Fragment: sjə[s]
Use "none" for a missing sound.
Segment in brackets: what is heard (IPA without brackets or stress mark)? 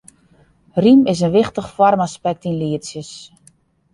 s